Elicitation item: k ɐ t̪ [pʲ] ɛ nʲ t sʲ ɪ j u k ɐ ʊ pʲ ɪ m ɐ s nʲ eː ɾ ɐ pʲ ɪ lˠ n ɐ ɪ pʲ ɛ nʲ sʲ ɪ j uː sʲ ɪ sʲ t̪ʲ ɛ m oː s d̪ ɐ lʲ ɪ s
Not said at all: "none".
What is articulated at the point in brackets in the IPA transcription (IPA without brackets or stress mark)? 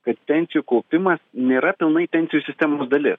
pʲ